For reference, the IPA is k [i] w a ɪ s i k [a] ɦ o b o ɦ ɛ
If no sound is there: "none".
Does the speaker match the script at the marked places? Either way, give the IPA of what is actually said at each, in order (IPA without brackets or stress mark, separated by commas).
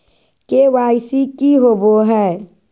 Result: e, i